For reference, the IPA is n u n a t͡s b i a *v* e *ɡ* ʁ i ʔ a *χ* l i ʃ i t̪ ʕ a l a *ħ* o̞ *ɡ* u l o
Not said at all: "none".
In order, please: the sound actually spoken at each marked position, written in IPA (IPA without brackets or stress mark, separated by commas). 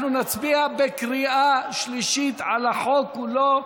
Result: b, k, ʃ, ħ, k